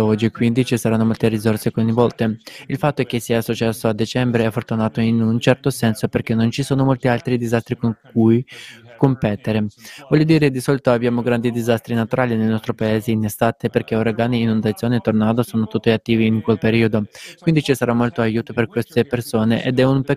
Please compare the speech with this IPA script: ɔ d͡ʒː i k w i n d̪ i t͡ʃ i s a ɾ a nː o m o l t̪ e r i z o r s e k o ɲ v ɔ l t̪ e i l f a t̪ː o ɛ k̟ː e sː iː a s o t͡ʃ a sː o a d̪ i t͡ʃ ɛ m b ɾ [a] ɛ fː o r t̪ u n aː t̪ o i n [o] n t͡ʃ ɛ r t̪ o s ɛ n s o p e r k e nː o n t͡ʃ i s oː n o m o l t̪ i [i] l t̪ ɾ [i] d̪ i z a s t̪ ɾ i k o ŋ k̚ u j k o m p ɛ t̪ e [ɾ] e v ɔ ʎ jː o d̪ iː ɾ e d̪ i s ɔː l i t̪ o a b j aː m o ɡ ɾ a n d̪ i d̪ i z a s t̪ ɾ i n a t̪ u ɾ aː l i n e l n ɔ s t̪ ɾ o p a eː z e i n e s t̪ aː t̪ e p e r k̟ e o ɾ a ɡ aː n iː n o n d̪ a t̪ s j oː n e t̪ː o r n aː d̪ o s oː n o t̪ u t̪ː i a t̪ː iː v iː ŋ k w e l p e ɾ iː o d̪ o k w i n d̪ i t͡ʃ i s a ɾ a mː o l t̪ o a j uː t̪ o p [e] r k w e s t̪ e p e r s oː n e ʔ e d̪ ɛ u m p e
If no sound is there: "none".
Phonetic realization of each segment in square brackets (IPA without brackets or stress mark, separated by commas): e, u, a, i, ɾ, e